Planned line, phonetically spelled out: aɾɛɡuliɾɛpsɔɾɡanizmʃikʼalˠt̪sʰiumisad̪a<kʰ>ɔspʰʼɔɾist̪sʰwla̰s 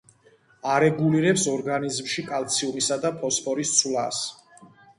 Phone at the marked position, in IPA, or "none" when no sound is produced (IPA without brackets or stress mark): pʰ